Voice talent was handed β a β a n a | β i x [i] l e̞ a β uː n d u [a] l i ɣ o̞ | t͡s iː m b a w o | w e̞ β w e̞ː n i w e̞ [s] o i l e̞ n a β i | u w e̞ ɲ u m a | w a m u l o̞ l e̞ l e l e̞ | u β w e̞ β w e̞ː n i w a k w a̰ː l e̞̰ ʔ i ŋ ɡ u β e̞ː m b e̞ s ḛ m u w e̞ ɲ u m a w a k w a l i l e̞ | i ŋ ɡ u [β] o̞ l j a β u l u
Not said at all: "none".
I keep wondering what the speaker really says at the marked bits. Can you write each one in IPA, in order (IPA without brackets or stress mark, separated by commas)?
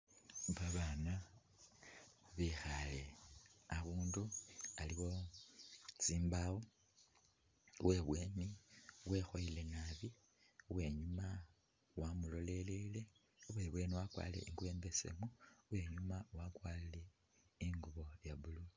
a, a, x, β